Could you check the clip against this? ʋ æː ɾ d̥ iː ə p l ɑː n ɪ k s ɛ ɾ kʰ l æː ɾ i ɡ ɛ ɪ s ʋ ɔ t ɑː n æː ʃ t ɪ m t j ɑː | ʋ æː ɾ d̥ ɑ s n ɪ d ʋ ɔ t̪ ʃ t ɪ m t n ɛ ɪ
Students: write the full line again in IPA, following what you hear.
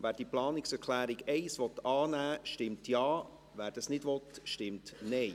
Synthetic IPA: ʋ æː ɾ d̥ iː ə p l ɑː n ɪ k s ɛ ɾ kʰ l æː ɾ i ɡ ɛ ɪ s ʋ ɔ t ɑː n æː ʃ t ɪ m t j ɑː | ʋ æː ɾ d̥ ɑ s n ɪ d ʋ ɔ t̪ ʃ t ɪ m t n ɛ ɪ